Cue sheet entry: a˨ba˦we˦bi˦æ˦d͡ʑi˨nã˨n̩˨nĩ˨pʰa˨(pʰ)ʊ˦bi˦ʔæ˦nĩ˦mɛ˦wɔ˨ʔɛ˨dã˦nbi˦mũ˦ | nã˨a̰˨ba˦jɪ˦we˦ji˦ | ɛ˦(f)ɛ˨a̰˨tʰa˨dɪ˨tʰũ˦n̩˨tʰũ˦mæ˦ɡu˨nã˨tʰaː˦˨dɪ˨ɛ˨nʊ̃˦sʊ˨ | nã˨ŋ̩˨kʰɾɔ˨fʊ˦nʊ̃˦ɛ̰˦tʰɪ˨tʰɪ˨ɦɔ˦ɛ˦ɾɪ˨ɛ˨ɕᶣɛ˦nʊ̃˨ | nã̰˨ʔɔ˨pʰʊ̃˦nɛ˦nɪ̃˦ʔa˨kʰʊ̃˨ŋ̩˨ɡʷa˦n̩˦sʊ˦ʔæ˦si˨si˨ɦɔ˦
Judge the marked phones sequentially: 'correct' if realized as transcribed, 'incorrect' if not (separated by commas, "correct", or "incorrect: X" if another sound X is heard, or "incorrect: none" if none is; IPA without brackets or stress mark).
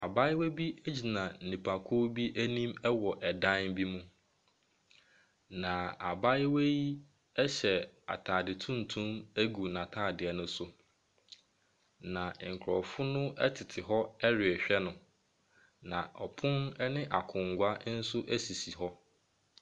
incorrect: kʰ, incorrect: ɕ